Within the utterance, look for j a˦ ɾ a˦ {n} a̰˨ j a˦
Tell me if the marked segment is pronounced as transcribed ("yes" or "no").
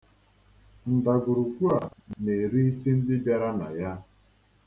yes